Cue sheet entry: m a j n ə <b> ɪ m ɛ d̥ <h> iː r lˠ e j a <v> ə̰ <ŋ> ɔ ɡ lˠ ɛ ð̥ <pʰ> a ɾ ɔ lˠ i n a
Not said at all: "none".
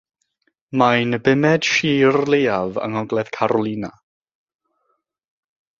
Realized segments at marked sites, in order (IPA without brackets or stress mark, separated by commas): b, ʃ, v, ŋ, kʰ